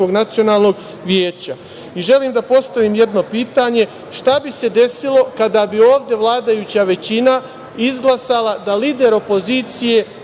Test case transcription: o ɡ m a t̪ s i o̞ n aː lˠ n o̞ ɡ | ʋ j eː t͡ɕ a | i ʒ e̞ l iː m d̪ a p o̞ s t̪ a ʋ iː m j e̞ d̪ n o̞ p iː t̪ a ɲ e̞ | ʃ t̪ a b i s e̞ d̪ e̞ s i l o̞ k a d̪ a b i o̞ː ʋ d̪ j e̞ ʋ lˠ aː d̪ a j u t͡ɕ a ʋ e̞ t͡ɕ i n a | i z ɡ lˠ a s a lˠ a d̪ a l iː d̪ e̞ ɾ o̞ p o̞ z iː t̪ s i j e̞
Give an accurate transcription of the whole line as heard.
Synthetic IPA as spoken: o ɡ n a t̪ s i o̞ n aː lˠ n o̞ ɡ | ʋ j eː t͡ɕ a | i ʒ e̞ l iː m d̪ a p o̞ s t̪ a ʋ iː m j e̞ d̪ n o̞ p iː t̪ a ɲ e̞ | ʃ t̪ a b i s e̞ d̪ e̞ s i l o̞ k a d̪ a b i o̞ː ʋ d̪ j e̞ ʋ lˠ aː d̪ a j u t͡ɕ a ʋ e̞ t͡ɕ i n a | i z ɡ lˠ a s a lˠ a d̪ a l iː d̪ e̞ ɾ o̞ p o̞ z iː t̪ s i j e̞